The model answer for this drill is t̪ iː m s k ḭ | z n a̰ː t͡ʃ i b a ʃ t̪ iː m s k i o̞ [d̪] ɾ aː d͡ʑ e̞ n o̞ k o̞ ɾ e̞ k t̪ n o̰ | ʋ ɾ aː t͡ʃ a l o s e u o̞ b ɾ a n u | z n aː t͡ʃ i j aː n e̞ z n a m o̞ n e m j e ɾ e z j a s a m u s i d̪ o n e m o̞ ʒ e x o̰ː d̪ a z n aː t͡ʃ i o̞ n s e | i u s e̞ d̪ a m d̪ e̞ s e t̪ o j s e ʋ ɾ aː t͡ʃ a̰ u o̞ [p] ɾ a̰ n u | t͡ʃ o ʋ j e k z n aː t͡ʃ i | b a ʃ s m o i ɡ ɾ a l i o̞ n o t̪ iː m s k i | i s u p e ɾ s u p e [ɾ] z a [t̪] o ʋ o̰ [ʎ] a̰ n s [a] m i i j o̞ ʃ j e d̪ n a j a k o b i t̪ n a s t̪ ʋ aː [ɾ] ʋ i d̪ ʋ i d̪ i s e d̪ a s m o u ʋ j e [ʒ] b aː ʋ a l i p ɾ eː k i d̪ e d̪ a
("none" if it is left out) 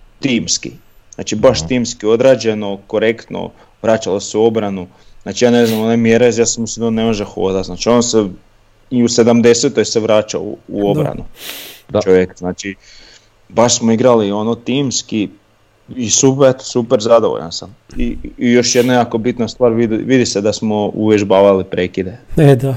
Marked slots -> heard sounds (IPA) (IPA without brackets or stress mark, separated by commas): d̪, b, ɾ, d̪, ʎ, a, ɾ, ʒ